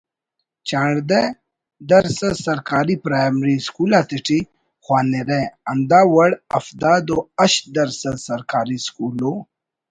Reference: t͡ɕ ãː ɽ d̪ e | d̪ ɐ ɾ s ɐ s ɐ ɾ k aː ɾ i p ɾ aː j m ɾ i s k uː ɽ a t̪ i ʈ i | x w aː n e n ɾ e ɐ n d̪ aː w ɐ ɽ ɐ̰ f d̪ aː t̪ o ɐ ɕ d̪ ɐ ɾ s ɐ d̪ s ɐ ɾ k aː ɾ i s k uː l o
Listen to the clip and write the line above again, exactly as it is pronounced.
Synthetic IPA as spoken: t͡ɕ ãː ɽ d̪ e | d̪ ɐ ɾ s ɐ s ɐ ɾ k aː ɾ i p ɾ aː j m ɾ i s k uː l a t̪ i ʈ i | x w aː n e ɾ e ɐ n d̪ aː w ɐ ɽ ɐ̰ f d̪ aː d̪ o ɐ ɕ d̪ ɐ ɾ s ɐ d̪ s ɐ ɾ k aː ɾ i s k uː l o